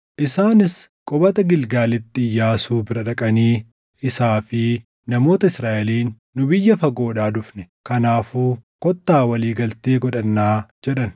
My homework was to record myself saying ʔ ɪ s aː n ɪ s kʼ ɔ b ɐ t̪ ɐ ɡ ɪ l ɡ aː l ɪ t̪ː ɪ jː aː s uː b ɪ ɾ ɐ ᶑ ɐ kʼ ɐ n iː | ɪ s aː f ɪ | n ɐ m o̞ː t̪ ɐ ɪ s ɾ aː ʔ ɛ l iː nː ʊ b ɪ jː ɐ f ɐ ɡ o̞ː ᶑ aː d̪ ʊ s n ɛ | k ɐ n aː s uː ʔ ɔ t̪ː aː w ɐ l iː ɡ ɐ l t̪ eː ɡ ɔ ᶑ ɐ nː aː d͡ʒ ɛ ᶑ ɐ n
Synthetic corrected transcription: ʔ ɪ s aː n ɪ s kʼ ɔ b ɐ t̪ ɐ ɡ ɪ l ɡ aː l ɪ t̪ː ɪ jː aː s uː b ɪ ɾ ɐ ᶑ ɐ kʼ ɐ n iː | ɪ s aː f ɪ | n ɐ m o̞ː t̪ ɐ ɪ s ɾ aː ʔ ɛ l iː nː ʊ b ɪ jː ɐ f ɐ ɡ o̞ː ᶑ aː d̪ ʊ f n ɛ | k ɐ n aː f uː k ɔ t̪ː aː w ɐ l iː ɡ ɐ l t̪ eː ɡ ɔ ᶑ ɐ nː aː d͡ʒ ɛ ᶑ ɐ n